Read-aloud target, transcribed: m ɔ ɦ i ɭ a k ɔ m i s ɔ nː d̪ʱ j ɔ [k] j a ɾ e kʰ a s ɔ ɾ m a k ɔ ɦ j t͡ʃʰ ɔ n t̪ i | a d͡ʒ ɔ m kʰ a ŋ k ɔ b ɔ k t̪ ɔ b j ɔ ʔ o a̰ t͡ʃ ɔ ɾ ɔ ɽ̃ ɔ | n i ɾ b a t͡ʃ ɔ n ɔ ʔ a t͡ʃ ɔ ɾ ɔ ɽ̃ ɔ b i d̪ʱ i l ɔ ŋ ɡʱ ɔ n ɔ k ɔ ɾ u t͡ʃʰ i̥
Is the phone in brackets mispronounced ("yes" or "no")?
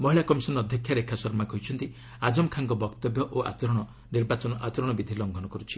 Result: yes